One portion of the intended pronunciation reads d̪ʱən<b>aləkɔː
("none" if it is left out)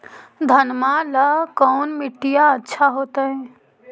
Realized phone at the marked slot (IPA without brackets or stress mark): m